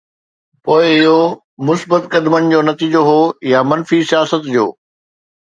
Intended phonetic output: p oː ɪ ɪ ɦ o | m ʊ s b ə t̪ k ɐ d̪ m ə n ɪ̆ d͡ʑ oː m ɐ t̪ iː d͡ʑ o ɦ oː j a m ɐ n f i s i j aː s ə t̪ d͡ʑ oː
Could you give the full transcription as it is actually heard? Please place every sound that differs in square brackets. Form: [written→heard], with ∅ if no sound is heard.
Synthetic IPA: p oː ɪ ɪ ɦ o | m ʊ s b ə t̪ k ɐ d̪ m ə n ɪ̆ d͡ʑ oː [m→n] ɐ t̪ iː d͡ʑ o ɦ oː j a m ɐ n f i s i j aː s ə t̪ d͡ʑ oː